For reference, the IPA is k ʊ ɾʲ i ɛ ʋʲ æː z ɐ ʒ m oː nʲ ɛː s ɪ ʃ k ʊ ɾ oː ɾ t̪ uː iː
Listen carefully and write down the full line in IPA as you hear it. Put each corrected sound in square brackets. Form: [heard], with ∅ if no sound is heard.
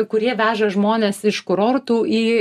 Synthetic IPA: k ʊ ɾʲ i ɛ ʋʲ æː [ʒ] ɐ ʒ m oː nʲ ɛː s ɪ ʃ k ʊ ɾ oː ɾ t̪ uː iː